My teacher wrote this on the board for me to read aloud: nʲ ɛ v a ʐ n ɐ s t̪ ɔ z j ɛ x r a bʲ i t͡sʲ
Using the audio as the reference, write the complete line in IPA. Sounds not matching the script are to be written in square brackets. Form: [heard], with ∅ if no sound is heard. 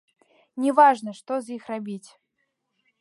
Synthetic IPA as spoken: nʲ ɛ v a ʐ n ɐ [ʂ] t̪ ɔ z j [i] x r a bʲ i t͡sʲ